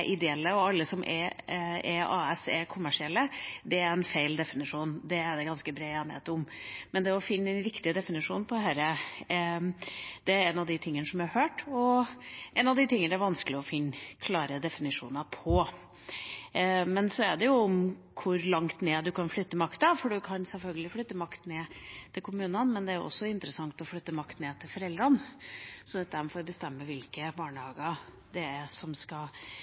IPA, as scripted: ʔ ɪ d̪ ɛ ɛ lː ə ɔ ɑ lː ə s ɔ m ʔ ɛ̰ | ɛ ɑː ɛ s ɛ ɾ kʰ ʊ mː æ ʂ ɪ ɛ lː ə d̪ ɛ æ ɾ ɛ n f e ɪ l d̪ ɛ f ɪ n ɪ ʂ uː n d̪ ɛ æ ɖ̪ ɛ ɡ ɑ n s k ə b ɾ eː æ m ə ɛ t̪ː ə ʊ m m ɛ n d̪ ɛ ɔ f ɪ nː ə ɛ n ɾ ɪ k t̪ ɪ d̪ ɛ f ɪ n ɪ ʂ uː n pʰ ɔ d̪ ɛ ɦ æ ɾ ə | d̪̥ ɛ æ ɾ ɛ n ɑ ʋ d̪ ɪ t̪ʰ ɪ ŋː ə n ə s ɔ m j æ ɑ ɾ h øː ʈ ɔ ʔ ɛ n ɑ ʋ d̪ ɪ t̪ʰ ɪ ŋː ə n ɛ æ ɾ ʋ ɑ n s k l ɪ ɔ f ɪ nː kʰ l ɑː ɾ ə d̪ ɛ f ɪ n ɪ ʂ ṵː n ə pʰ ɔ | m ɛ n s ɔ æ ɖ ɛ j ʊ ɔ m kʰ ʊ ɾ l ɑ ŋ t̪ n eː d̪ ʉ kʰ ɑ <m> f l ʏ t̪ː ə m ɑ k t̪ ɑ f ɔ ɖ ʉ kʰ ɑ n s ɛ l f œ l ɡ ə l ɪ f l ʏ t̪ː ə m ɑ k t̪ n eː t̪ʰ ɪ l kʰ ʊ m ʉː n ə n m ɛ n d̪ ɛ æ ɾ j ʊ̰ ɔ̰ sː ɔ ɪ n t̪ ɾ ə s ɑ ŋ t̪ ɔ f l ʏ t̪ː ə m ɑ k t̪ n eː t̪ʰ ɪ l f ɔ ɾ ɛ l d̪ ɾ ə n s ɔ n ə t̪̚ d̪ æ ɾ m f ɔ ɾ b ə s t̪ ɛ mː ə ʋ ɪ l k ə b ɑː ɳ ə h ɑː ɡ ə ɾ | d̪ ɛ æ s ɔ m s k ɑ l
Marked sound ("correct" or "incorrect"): incorrect